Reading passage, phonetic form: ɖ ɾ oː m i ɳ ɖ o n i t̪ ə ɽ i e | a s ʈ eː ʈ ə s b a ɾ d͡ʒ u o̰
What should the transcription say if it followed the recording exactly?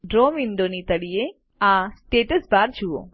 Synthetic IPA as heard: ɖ ɾ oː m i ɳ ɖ o n i t̪ ə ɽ i e | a s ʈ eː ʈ ə s b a ɾ d͡ʒ u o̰